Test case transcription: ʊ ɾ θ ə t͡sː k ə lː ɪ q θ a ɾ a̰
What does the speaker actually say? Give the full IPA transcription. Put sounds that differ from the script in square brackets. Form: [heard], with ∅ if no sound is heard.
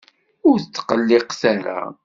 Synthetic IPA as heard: ʊ ɾ θ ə t͡sː [q] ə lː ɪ q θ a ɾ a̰